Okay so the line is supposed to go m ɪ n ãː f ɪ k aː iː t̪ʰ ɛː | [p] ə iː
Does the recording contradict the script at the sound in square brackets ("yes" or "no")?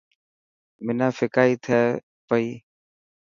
no